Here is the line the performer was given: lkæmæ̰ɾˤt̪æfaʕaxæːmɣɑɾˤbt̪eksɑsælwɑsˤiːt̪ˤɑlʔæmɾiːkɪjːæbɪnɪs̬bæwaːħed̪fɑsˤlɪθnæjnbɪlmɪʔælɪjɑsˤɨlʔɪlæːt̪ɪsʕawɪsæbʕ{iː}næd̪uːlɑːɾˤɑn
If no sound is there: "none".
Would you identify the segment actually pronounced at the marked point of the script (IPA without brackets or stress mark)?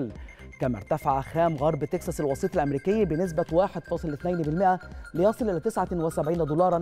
iː